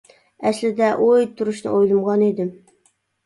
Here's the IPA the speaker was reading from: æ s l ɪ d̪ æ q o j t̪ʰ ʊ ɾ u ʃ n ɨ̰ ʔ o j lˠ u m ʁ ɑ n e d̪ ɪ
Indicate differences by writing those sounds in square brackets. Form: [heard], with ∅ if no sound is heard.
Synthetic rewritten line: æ s l ɪ d̪ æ [ʔ] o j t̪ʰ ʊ ɾ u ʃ n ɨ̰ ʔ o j lˠ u m ʁ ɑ n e d̪ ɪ